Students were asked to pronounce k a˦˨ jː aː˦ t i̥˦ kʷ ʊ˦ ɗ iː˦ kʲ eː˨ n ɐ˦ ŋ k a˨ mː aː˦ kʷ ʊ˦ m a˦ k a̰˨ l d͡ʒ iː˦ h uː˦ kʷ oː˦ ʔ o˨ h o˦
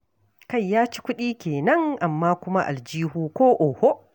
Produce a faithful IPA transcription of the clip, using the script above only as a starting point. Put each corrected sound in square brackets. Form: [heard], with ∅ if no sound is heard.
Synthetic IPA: k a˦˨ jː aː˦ [t͡ʃ] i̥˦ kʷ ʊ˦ ɗ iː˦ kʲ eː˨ n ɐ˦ ŋ [ʔ] a˨ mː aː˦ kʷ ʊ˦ m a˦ [ʔ] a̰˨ l d͡ʒ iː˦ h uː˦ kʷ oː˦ ʔ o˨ h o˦